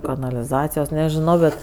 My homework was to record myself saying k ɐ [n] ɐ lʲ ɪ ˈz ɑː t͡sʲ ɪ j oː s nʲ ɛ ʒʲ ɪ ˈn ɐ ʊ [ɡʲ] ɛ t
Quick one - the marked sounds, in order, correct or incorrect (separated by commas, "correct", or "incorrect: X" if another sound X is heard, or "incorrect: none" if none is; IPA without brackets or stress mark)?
correct, incorrect: bʲ